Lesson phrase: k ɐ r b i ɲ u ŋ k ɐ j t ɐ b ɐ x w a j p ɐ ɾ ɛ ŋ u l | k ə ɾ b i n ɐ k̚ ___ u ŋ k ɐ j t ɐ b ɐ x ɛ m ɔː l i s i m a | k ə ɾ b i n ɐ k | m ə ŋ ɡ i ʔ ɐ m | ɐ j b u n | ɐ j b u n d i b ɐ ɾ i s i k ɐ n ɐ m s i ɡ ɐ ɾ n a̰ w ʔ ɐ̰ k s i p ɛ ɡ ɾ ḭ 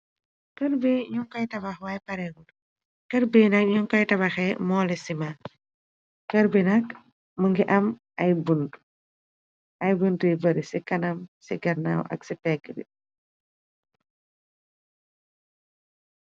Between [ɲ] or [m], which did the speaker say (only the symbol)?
ɲ